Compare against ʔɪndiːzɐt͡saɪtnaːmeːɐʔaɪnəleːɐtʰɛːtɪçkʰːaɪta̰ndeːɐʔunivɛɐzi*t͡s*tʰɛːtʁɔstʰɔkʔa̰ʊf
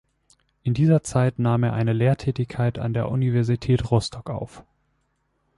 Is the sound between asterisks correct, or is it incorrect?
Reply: incorrect